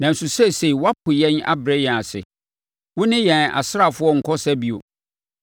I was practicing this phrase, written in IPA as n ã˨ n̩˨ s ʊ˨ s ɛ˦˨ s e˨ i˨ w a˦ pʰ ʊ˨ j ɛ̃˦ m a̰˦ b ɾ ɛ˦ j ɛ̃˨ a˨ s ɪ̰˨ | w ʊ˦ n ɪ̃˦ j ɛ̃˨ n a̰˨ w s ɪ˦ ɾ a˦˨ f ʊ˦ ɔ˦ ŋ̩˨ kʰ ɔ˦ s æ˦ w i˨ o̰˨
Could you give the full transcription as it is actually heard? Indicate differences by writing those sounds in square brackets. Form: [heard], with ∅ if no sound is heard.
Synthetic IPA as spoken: n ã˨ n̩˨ s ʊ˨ s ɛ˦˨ s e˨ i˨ w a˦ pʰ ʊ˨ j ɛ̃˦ [n] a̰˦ b ɾ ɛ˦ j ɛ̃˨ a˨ s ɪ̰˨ | w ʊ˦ n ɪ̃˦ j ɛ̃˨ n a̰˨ [∅] s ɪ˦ ɾ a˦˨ f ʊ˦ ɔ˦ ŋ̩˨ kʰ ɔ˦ s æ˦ [b] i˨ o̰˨